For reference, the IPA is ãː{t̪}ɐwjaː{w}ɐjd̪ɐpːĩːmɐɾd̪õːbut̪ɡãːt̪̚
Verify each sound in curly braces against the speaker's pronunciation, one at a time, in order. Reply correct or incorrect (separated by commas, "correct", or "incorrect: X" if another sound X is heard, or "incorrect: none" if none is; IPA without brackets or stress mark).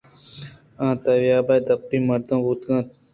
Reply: correct, incorrect: b